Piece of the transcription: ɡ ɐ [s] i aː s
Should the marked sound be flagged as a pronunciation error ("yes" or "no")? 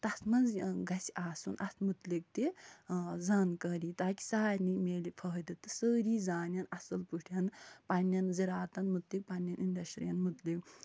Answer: no